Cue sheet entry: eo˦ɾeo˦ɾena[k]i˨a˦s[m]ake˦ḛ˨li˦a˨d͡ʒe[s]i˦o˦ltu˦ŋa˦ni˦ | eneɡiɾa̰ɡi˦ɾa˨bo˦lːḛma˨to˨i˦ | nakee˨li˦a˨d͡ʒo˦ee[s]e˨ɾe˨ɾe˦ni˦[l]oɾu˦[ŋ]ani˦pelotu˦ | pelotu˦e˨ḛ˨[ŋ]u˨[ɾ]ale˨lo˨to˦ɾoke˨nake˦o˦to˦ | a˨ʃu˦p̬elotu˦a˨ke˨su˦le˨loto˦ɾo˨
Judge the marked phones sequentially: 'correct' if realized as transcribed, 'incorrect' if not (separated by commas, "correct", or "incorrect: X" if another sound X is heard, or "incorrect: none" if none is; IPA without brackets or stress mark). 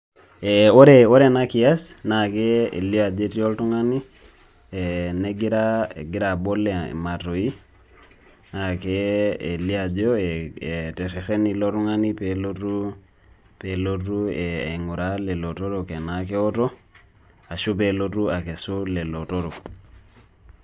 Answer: correct, incorrect: n, incorrect: t, incorrect: t, correct, correct, correct, correct